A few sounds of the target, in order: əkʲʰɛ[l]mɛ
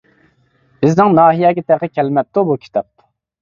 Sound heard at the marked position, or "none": l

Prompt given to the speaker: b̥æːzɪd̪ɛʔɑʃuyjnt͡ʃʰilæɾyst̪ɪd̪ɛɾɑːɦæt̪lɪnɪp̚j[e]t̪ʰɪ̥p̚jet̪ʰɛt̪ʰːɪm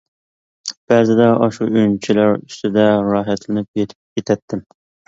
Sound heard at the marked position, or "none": e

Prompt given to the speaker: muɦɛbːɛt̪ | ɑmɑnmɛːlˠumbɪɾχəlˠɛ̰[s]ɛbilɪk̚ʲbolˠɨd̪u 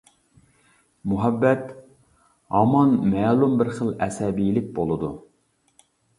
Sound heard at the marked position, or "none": s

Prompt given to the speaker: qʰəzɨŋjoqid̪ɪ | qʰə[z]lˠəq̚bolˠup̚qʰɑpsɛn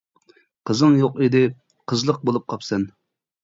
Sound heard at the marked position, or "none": z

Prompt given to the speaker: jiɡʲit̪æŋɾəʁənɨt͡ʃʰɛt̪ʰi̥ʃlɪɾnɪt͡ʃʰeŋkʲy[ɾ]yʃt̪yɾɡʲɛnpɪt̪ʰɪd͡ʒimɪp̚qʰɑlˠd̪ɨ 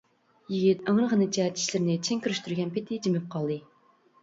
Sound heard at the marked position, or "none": ɾ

